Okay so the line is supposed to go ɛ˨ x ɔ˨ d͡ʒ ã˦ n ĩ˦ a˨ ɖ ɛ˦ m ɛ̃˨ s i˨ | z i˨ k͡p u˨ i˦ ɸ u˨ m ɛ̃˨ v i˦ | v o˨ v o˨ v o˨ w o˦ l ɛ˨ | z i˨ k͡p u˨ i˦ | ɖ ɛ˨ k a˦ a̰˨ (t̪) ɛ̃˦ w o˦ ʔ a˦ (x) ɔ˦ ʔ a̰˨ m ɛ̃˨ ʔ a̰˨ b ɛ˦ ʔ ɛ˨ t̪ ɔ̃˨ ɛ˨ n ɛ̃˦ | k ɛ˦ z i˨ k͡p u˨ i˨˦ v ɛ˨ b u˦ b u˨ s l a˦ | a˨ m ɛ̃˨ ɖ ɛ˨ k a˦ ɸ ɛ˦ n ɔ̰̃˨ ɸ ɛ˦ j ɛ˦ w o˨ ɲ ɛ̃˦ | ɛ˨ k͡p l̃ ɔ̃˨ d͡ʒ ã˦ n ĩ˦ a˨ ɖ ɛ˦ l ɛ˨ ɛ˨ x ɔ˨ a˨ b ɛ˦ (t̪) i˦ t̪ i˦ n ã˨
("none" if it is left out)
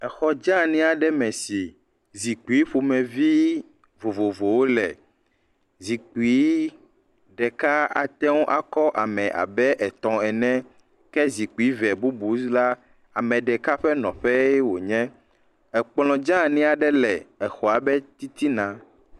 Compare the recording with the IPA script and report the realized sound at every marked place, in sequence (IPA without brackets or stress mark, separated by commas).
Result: t̪, k, t̪